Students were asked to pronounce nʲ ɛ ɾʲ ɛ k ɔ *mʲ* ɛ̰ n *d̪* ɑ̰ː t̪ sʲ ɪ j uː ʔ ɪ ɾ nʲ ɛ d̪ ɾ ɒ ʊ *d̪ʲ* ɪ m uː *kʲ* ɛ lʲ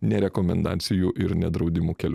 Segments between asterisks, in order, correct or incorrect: correct, correct, correct, correct

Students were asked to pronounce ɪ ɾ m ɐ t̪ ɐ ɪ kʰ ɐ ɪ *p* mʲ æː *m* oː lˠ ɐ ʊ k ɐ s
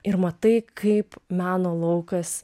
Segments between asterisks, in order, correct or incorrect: correct, incorrect

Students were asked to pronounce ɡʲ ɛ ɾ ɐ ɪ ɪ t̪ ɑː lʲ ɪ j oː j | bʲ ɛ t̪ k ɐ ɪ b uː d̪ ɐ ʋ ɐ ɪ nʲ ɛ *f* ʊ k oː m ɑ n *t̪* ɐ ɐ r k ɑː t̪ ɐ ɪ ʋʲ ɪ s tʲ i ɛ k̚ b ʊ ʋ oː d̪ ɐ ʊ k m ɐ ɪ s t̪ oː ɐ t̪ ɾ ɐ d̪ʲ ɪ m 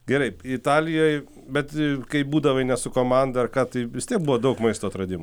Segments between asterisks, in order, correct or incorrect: incorrect, incorrect

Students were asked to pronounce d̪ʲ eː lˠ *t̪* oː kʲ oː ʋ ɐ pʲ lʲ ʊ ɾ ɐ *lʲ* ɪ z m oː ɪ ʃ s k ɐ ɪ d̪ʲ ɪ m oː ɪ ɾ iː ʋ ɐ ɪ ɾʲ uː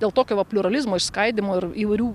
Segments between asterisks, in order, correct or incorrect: correct, correct

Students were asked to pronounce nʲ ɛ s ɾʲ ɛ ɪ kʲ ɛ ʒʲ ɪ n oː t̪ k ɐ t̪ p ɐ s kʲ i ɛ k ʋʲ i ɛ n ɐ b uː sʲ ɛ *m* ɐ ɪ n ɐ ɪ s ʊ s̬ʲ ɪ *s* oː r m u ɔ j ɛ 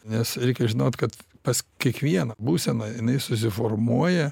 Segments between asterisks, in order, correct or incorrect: incorrect, incorrect

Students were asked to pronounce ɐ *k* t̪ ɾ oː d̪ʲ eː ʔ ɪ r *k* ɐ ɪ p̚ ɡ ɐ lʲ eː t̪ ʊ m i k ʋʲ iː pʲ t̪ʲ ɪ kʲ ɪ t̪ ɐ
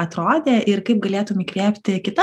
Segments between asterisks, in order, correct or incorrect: incorrect, correct

